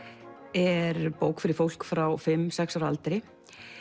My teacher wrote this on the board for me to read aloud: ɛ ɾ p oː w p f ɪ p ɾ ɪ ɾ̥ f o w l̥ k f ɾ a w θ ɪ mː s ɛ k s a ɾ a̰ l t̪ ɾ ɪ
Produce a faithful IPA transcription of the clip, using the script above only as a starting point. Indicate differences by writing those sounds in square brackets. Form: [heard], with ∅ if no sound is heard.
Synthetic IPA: ɛ ɾ p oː w [k] f ɪ [∅] ɾ ɪ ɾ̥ f o w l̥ k f ɾ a w [f] ɪ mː s ɛ k s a ɾ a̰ l t̪ ɾ ɪ